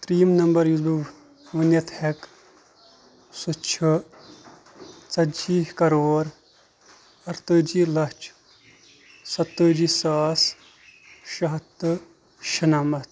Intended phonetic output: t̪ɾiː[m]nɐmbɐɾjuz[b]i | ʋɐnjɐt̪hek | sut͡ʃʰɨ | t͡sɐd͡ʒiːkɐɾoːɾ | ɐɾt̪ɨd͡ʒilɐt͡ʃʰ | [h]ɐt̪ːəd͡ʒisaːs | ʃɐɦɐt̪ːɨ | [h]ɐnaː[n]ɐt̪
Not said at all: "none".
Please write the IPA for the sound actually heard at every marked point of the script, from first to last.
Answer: m, b, s, ʃ, m

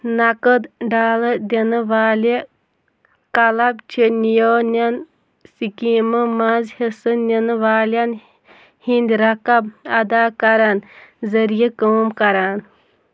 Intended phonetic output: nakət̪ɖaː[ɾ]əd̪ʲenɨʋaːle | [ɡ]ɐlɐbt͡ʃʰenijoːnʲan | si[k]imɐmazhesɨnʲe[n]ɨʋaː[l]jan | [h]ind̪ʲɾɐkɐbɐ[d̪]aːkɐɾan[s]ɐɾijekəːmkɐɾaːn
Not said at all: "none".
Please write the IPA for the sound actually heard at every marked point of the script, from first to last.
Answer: l, k, k, n, l, h, d̪, z

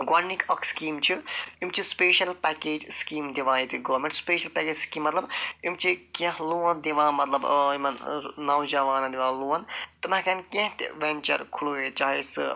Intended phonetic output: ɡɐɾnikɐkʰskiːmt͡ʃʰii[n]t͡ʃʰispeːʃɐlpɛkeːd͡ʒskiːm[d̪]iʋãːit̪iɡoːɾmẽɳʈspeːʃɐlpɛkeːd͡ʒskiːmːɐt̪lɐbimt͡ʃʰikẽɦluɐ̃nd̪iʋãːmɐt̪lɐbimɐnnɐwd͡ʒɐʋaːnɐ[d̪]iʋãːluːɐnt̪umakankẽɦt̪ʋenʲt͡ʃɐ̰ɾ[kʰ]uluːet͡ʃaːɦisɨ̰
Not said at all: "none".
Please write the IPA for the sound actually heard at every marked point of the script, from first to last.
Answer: m, d̪, d̪, kʰ

